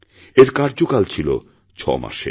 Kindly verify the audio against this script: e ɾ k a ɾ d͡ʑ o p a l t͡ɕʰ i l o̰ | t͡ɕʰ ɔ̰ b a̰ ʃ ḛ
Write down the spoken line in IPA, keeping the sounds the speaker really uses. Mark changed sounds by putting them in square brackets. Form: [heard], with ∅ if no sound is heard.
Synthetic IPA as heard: e ɾ k a ɾ d͡ʑ o [k] a l t͡ɕʰ i l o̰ | t͡ɕʰ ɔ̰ [m] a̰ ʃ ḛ